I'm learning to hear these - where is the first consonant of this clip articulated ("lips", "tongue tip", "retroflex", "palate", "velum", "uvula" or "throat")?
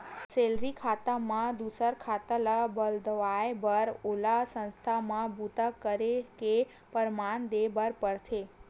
tongue tip